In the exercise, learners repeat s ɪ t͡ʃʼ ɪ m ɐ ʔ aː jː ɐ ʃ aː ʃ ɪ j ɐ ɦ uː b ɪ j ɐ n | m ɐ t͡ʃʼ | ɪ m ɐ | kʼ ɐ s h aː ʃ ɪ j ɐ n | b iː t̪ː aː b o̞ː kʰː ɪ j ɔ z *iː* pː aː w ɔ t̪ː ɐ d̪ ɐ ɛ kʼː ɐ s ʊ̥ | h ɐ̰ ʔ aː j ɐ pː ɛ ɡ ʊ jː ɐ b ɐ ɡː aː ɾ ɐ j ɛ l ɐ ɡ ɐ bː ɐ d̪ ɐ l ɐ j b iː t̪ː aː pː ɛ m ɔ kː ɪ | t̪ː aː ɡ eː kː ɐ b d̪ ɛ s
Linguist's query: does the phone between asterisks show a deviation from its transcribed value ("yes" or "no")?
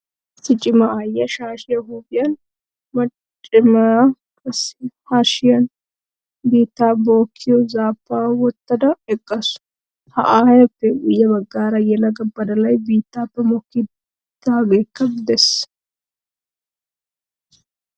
yes